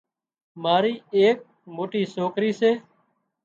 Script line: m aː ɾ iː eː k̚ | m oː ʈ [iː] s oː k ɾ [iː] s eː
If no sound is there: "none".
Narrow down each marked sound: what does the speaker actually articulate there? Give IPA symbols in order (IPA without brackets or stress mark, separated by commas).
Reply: iː, iː